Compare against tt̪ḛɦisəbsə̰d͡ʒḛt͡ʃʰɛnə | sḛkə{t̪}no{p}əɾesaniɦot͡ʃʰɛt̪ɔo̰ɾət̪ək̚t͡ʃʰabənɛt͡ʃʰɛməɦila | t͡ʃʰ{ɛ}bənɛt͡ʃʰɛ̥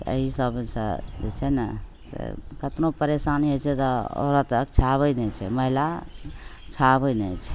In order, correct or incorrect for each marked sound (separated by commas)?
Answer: correct, correct, incorrect